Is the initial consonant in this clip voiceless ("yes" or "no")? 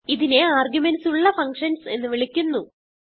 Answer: no